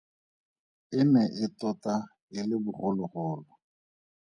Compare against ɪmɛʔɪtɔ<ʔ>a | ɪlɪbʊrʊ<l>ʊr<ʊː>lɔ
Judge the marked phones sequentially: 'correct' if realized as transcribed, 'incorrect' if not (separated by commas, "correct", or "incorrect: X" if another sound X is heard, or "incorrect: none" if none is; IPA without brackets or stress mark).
incorrect: t, correct, correct